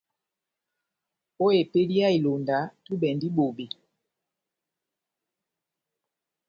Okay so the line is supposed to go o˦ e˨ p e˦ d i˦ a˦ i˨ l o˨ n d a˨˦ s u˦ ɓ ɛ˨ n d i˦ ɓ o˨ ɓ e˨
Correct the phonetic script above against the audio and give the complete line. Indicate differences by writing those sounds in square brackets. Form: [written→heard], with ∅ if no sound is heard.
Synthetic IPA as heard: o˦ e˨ p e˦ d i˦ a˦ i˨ l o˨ n d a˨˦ [s→t] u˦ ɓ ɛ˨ n d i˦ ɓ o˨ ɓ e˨